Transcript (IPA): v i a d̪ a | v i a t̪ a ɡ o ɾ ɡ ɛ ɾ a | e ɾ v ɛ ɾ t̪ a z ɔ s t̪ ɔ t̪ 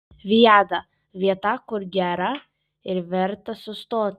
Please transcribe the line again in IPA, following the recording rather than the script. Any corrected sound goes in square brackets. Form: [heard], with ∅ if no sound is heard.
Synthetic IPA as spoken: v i a d̪ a | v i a t̪ a [k] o ɾ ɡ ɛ ɾ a | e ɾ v ɛ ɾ t̪ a [s] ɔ s t̪ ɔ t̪